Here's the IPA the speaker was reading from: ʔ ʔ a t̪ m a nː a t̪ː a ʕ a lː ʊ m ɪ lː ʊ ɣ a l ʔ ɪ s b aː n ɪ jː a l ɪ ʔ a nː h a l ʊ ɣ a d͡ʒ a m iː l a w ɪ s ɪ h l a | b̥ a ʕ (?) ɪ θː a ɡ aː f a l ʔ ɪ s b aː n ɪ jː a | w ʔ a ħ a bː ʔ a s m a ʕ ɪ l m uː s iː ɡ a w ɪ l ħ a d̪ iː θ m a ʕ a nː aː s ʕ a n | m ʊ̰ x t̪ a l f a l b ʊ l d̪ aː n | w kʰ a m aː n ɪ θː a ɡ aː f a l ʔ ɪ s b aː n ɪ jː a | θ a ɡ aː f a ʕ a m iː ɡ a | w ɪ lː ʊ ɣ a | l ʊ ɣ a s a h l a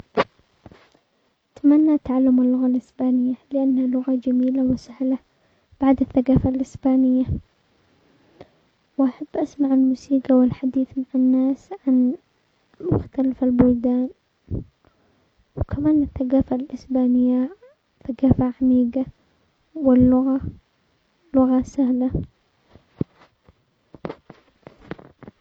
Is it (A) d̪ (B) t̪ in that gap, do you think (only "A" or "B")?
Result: A